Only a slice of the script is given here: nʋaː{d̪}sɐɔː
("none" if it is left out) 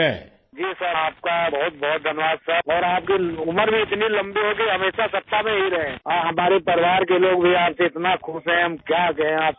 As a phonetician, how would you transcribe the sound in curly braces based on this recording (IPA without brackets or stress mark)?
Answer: d̪